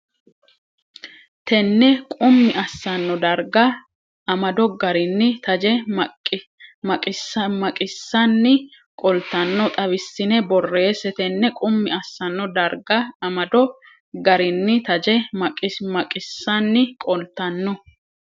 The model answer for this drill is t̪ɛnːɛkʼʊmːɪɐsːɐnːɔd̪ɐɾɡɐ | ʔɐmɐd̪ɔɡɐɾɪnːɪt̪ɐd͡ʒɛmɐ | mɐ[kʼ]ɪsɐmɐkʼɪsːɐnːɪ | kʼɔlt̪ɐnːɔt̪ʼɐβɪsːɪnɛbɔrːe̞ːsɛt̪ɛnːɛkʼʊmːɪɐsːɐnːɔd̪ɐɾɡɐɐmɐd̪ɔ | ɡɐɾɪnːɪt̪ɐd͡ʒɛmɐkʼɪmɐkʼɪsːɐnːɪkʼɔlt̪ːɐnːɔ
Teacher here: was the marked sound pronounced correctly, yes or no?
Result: yes